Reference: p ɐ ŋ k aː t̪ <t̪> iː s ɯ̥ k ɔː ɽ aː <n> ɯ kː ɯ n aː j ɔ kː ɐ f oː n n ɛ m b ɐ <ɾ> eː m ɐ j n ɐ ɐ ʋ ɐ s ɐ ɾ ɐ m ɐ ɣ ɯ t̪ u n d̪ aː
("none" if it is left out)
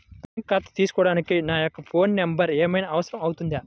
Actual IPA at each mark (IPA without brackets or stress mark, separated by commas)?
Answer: t̪, n, ɾ